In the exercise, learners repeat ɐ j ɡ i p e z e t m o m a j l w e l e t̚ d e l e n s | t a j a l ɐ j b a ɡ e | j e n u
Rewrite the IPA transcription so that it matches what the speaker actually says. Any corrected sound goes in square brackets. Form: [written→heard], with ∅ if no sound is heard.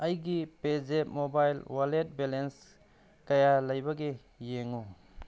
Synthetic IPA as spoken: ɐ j ɡ i p e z e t m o [m→b] a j l w [e→a] l e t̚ [d→b] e l e n s | [t→k] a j a l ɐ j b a ɡ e | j e [n→ŋ] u